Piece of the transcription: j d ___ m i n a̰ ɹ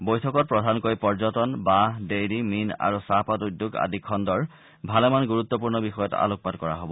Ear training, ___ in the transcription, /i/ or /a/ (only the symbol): i